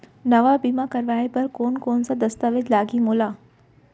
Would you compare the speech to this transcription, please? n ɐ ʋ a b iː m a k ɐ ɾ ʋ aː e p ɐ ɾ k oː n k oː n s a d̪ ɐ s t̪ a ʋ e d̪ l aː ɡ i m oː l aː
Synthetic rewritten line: n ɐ ʋ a b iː m a k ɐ ɾ ʋ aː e p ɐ ɾ k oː n k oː n s a d̪ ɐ s t̪ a ʋ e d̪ l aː ɡ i m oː l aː